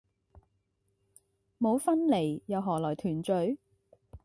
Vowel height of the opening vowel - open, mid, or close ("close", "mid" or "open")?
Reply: mid